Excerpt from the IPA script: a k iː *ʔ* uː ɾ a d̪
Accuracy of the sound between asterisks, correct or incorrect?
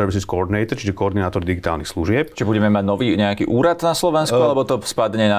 correct